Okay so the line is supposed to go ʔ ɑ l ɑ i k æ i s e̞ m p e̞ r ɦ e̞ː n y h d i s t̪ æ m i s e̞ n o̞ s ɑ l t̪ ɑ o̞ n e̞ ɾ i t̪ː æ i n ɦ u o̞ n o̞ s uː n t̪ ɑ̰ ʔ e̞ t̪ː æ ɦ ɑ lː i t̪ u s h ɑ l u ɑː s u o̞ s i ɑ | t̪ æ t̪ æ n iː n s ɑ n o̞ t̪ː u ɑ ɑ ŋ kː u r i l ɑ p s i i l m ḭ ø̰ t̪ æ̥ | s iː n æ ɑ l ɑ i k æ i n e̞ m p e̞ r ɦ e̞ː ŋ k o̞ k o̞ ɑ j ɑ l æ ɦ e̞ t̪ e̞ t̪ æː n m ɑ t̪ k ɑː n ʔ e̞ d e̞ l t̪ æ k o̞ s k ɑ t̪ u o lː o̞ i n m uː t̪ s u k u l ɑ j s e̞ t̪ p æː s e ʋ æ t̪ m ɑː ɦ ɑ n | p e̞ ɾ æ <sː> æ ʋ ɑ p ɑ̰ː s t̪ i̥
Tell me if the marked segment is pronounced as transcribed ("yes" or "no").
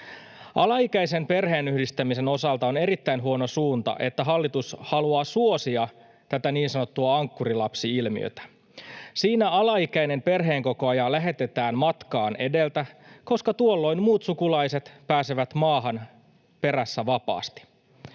yes